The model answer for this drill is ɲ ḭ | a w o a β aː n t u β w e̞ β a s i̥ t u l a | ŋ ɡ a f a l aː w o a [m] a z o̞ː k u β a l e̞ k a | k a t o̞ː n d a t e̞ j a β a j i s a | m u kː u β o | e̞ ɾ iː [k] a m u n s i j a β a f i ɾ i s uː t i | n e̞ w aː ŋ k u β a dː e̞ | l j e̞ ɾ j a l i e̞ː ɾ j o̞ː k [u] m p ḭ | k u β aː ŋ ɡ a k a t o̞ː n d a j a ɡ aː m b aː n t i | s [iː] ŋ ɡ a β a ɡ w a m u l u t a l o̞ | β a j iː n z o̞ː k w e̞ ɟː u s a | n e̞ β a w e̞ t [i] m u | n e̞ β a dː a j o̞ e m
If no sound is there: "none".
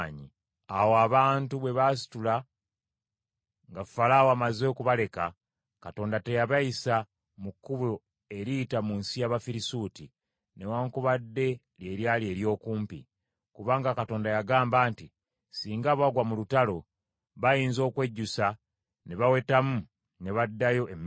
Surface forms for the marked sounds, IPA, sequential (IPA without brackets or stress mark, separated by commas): m, t, uː, iː, a